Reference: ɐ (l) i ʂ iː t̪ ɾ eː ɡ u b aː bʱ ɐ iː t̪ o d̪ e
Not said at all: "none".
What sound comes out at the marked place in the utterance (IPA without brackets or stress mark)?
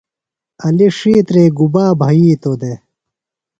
l